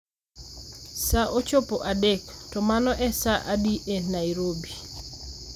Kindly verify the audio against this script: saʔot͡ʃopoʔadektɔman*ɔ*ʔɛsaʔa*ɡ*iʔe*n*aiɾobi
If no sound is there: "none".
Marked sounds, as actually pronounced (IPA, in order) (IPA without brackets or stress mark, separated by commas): ɔ, d, n